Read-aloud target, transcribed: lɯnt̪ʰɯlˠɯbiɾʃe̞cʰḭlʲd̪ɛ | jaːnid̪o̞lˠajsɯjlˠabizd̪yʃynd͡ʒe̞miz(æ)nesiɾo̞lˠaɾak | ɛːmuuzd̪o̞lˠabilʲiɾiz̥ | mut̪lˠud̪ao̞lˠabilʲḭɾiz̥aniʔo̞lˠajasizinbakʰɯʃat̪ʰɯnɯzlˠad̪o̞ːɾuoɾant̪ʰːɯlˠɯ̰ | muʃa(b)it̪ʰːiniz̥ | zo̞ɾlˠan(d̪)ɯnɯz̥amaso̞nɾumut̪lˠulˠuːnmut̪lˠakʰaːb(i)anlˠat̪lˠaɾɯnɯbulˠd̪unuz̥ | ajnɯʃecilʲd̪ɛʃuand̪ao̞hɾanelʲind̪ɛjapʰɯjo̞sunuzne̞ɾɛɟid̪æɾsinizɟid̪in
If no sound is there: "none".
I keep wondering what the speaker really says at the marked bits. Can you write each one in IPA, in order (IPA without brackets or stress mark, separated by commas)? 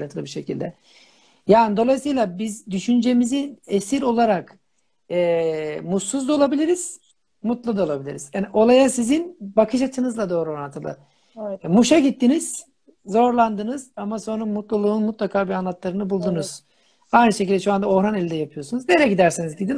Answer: i, ɟ, d̪, i